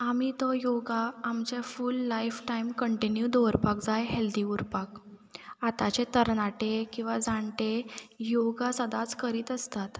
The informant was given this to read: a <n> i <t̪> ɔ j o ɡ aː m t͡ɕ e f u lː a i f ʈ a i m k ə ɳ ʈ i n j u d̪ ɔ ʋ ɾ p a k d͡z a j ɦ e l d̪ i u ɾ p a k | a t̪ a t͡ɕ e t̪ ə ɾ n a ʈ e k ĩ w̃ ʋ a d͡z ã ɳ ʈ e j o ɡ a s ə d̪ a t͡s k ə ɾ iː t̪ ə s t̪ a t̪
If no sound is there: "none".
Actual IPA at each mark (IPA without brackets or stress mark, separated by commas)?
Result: m, t̪